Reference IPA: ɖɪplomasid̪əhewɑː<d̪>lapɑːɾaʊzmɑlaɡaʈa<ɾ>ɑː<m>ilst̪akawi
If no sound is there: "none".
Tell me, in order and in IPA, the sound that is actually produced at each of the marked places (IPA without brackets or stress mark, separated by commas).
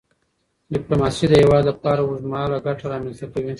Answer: d̪, ɾ, m